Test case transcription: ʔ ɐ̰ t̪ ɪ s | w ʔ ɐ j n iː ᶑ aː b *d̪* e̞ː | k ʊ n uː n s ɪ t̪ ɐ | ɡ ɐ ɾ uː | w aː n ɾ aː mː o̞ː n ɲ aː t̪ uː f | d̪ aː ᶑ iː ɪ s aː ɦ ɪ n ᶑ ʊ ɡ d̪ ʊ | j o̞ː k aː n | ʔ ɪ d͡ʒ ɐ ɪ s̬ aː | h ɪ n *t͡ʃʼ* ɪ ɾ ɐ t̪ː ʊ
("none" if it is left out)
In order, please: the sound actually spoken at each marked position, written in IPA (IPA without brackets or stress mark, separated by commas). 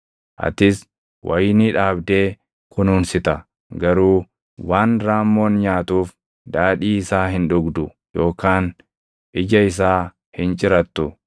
d̪, t͡ʃʼ